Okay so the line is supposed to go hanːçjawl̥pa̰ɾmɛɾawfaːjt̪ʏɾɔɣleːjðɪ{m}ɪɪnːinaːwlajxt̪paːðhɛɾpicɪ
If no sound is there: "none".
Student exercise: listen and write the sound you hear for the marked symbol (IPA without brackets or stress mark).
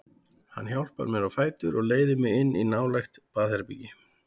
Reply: m